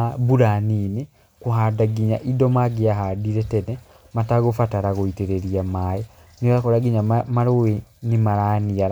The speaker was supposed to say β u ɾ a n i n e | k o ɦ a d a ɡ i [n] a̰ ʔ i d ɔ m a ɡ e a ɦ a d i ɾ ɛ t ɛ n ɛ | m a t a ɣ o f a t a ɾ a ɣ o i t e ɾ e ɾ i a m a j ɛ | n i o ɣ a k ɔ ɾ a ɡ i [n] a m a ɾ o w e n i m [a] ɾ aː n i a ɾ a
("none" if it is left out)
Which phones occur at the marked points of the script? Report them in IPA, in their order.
ɲ, ɲ, a

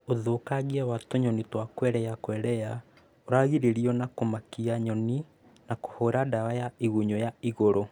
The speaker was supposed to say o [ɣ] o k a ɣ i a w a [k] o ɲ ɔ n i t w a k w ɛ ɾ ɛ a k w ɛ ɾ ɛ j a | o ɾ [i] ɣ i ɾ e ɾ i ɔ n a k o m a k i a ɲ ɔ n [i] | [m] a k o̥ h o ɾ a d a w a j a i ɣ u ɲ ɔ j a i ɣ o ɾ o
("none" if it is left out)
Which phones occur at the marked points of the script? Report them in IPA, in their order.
ð, t, a, i, n

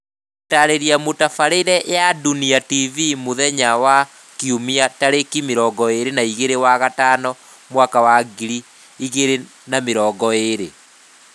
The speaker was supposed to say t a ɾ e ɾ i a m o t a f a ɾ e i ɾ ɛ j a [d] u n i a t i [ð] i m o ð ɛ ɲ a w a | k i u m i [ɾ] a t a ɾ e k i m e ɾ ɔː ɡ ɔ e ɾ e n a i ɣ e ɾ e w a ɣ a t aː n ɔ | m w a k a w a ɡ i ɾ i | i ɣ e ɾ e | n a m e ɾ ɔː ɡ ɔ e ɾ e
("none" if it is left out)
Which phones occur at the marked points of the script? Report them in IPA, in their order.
d, v, none

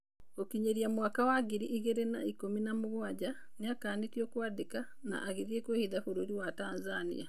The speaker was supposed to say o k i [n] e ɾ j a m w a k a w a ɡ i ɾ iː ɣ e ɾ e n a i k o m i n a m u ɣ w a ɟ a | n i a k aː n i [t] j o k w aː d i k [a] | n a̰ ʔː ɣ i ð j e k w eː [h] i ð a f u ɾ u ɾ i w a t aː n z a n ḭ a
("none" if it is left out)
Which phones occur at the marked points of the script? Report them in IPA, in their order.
ɲ, t, a, h

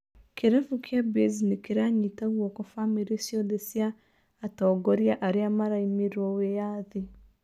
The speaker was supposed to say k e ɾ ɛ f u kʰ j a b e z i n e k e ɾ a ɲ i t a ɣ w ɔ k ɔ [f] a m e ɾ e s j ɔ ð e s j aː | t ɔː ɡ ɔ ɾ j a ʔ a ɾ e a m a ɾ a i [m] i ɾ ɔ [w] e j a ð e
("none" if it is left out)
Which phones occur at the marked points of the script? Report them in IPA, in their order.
f, m, w

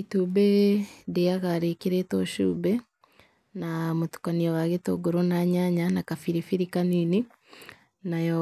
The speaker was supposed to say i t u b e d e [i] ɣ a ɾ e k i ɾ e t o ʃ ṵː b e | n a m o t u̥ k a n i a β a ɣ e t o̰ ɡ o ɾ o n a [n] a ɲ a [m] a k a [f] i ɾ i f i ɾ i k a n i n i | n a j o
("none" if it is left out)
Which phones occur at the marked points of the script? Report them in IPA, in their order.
a, ɲ, n, f

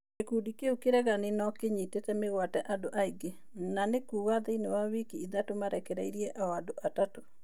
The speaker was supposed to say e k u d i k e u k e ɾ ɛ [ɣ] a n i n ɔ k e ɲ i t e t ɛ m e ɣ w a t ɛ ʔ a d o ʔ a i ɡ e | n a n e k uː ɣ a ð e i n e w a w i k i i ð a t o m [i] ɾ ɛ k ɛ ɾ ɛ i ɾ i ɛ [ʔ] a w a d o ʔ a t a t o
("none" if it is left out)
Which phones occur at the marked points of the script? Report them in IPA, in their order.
ɣ, a, ʔ

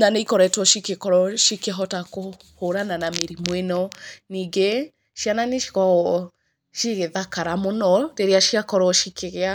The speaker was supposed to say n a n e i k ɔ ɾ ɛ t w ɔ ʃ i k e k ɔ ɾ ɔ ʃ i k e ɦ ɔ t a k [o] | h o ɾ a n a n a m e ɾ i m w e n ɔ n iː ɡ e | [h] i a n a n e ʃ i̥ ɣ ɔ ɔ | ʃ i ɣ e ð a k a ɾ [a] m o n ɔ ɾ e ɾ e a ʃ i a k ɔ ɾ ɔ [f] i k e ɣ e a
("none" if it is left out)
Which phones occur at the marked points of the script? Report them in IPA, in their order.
o, ʃ, a, ʃ

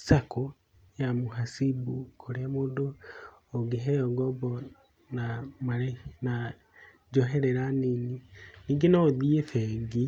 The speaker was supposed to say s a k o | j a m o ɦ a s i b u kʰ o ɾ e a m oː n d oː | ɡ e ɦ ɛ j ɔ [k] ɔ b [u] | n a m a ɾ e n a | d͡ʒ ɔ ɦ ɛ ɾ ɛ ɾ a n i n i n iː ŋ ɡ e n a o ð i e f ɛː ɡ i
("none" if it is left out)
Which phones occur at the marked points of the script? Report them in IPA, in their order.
ɡ, ɔ

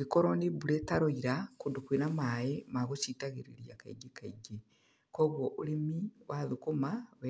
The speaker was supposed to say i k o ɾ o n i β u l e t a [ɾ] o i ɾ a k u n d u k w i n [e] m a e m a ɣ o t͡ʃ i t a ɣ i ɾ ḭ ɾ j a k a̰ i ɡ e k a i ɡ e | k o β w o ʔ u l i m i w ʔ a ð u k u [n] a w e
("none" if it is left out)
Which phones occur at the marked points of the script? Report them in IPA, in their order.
ɾ, a, m

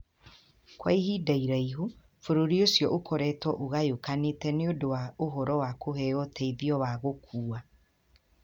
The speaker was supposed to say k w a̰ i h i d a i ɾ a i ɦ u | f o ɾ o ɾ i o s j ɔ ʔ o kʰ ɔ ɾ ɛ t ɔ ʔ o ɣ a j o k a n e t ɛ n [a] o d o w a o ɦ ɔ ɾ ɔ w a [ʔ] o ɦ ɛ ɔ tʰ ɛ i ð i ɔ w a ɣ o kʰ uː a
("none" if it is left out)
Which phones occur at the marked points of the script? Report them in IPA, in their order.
e, k

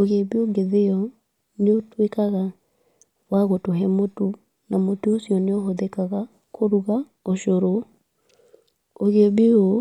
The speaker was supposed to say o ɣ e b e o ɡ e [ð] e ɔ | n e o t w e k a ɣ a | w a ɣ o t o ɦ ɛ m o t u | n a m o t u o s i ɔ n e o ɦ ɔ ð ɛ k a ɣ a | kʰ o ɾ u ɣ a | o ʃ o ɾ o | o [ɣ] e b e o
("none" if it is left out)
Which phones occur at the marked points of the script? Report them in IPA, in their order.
ð, ɣ

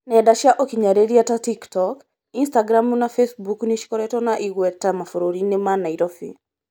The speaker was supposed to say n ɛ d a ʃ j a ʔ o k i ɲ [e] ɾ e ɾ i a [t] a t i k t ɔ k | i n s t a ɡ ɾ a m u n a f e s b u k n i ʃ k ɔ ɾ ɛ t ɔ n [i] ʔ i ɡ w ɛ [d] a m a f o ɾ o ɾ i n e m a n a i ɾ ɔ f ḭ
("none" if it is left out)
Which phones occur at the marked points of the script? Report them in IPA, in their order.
a, t, a, t

